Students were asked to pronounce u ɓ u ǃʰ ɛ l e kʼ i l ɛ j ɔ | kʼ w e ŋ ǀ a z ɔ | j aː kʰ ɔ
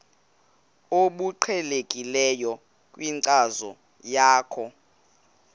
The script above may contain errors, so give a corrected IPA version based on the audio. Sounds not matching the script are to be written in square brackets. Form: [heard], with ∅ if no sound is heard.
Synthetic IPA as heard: [o] ɓ u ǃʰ ɛ l e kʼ i l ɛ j ɔ | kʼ w [i] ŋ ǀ a z ɔ | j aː kʰ ɔ